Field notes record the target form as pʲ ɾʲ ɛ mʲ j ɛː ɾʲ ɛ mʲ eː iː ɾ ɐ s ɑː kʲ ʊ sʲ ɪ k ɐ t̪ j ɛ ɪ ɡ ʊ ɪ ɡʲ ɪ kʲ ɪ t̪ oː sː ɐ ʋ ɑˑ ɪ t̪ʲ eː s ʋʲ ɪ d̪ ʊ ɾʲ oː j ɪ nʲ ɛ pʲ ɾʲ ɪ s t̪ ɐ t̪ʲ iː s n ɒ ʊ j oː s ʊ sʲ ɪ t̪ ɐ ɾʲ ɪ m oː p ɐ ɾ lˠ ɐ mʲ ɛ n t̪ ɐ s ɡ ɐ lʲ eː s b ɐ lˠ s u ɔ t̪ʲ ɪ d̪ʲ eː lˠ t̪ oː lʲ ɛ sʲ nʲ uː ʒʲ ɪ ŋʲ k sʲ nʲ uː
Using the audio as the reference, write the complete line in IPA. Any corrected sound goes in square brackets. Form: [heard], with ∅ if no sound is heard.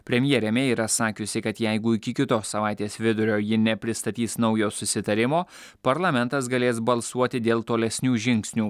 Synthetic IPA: pʲ ɾʲ ɛ mʲ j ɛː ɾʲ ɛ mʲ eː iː ɾ ɐ s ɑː kʲ ʊ sʲ ɪ k ɐ t̪ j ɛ ɪ ɡ ʊ ɪ [kʲ] ɪ kʲ ɪ t̪ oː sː ɐ ʋ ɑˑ ɪ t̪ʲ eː s ʋʲ ɪ d̪ ʊ ɾʲ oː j ɪ nʲ ɛ pʲ ɾʲ ɪ s t̪ ɐ t̪ʲ iː s n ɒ ʊ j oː s ʊ sʲ ɪ t̪ ɐ ɾʲ ɪ m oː p ɐ ɾ lˠ ɐ mʲ ɛ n t̪ ɐ s ɡ ɐ lʲ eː s b ɐ lˠ s u ɔ t̪ʲ ɪ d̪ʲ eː lˠ t̪ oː lʲ ɛ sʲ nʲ uː ʒʲ ɪ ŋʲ k sʲ nʲ uː